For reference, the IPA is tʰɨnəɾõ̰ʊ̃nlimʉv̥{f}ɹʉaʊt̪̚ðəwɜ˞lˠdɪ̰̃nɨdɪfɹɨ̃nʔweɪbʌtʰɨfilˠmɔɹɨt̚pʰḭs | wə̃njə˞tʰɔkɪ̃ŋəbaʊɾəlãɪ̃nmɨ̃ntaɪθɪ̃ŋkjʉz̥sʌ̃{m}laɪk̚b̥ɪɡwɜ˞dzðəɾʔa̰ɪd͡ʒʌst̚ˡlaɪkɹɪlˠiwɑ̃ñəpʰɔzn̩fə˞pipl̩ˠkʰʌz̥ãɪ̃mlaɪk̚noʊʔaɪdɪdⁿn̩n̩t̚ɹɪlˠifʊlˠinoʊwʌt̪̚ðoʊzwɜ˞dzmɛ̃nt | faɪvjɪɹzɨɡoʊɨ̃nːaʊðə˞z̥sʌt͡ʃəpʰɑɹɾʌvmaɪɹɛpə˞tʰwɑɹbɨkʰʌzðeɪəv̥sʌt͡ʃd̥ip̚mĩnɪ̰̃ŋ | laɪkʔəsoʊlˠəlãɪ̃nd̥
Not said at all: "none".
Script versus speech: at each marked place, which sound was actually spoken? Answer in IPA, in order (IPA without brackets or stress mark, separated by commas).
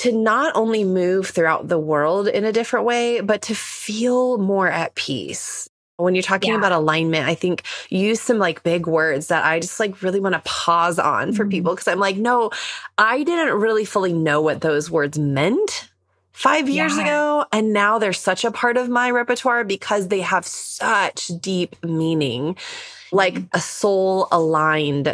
θ, m